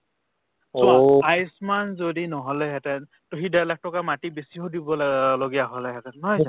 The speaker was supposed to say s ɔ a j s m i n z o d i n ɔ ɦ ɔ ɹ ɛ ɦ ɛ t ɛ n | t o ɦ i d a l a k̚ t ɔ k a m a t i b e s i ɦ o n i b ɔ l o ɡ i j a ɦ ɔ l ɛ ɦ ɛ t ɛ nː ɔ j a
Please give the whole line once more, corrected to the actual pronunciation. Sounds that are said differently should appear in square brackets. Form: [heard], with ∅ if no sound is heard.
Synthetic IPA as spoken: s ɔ a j s m [a] n z o d i n ɔ ɦ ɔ [l] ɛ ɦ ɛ t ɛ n | t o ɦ i d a l a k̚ t ɔ k a m a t i b e s i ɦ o [d] i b ɔ l o ɡ i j a ɦ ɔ l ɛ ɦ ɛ t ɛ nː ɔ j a